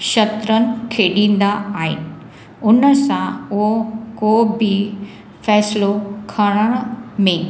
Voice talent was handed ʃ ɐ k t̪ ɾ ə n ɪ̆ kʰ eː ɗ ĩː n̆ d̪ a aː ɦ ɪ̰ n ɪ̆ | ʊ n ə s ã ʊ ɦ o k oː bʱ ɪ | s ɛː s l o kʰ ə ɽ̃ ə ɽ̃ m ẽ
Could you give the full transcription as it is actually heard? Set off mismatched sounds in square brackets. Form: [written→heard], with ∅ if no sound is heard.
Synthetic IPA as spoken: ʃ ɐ [k→∅] t̪ ɾ ə n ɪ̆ kʰ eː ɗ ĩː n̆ d̪ a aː ɦ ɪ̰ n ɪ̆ | ʊ n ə s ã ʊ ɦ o k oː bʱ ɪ | [s→f] ɛː s l o kʰ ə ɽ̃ ə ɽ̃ m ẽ